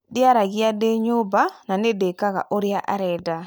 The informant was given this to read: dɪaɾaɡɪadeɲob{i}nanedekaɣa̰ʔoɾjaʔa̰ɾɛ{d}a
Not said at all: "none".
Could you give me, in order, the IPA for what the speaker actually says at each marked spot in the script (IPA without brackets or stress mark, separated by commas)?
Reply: a, d